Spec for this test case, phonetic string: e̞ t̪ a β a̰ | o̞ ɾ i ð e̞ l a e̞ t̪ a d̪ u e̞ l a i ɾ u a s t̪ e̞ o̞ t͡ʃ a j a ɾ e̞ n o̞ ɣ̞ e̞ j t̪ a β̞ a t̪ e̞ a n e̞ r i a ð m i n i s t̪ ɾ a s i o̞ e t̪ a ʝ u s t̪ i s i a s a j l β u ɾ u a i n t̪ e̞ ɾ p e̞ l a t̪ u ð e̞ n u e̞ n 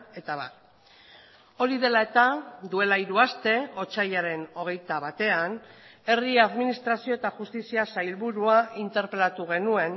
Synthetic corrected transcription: e̞ t̪ a β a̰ | o̞ ɾ i ð e̞ l a e̞ t̪ a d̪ u e̞ l a i ɾ u a s t̪ e̞ o̞ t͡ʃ a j a ɾ e̞ n o̞ ɣ̞ e̞ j t̪ a β̞ a t̪ e̞ a n e̞ r i a ð m i n i s t̪ ɾ a s i o̞ e t̪ a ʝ u s t̪ i s i a s a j l β u ɾ u a i n t̪ e̞ ɾ p e̞ l a t̪ u ɣ e̞ n u e̞ n